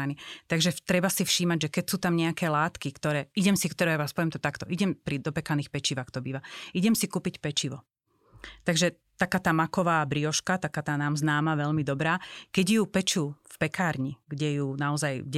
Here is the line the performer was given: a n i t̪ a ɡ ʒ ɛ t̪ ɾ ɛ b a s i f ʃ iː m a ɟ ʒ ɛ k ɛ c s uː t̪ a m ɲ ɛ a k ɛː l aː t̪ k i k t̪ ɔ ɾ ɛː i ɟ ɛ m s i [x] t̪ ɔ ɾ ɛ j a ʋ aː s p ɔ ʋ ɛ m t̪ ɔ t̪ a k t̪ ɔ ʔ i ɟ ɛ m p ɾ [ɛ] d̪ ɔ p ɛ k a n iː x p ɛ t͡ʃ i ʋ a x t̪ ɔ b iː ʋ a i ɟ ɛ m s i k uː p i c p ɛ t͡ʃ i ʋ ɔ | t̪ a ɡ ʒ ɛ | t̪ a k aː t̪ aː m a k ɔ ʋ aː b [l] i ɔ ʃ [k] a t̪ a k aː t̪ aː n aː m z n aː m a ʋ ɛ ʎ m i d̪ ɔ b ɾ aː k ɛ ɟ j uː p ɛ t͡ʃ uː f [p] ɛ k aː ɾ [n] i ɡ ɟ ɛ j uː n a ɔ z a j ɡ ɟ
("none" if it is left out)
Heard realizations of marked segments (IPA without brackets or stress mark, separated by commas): k, i, ɾ, k, p, ɲ